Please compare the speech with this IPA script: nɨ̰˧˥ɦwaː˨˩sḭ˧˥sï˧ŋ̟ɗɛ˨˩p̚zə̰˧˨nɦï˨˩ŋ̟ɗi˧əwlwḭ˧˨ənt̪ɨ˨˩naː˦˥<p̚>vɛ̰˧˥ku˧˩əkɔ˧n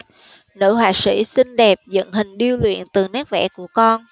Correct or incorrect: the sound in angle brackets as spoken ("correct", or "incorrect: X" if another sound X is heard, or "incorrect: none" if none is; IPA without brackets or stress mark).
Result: incorrect: k̚